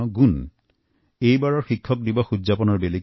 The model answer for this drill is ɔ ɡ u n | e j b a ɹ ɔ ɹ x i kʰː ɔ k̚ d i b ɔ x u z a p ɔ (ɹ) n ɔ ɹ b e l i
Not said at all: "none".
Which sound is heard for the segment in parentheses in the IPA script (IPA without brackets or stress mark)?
none